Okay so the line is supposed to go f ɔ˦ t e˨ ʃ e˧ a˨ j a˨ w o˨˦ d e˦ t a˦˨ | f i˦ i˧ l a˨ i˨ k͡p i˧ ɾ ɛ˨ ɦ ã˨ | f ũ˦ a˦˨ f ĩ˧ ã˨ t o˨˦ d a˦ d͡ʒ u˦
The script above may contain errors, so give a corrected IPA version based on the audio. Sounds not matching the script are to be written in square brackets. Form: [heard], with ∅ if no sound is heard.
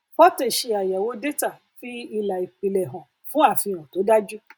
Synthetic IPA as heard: f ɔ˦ t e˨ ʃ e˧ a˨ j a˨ w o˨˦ d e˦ t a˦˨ | f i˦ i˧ l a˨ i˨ k͡p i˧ [l] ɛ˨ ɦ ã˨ | f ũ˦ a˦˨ f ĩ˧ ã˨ t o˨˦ d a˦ d͡ʒ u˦